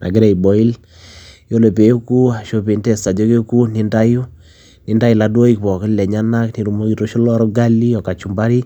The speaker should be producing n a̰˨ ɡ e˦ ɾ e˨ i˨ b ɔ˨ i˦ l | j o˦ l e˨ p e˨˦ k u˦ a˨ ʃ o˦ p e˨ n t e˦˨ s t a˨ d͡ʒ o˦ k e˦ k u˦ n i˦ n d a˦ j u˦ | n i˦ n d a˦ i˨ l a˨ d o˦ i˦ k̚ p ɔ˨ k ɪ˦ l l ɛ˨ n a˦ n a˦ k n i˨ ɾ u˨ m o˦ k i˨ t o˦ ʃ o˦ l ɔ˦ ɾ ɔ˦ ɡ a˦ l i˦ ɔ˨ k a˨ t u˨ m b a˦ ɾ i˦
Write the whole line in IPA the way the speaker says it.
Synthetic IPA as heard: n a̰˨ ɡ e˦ ɾ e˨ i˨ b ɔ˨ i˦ l | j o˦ l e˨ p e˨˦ k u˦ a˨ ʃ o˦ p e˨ n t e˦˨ s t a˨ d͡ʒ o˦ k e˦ k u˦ n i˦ n d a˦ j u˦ | n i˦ n d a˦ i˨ l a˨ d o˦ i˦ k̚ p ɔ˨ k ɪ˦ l l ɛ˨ ɲ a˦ n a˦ k n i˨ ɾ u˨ m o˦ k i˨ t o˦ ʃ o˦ l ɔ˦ ɾ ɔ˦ ɡ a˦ l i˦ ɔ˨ k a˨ t͡ʃ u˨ m b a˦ ɾ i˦